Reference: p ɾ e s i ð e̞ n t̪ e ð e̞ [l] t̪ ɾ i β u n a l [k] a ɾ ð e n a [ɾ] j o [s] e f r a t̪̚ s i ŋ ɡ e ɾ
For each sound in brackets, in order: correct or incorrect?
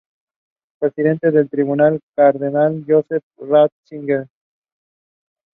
correct, correct, incorrect, correct

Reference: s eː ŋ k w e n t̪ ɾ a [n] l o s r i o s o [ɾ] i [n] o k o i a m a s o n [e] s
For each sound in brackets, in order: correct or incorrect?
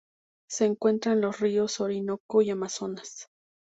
correct, correct, correct, incorrect

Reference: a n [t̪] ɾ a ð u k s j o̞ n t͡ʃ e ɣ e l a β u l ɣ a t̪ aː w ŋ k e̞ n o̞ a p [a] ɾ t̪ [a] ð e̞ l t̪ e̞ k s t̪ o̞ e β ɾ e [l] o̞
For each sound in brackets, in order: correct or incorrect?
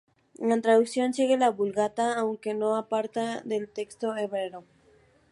correct, correct, correct, incorrect

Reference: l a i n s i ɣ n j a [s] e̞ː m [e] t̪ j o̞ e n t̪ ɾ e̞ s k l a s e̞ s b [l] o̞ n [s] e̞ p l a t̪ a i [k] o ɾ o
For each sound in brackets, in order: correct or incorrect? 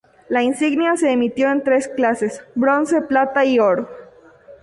correct, incorrect, incorrect, correct, incorrect

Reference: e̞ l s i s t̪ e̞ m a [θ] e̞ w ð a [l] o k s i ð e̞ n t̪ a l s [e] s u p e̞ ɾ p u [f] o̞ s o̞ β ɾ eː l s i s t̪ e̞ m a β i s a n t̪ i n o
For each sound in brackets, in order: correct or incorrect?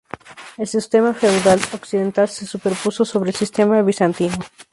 incorrect, correct, correct, incorrect

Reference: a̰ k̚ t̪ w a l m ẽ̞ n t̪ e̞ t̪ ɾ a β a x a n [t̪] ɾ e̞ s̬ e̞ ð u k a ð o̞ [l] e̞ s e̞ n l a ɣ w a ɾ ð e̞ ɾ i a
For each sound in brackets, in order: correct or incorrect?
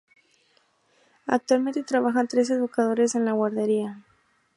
correct, incorrect

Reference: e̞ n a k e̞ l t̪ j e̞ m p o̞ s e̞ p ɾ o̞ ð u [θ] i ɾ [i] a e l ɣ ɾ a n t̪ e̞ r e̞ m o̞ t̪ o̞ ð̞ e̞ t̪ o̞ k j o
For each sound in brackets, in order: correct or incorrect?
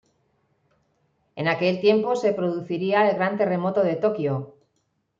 correct, correct

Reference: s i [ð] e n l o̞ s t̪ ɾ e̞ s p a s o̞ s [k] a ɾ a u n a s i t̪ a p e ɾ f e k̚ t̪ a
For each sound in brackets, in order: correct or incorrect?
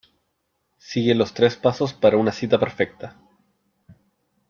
incorrect, incorrect

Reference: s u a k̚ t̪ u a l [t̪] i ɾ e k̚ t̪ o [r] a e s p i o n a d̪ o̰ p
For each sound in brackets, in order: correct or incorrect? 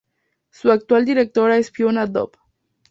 incorrect, incorrect

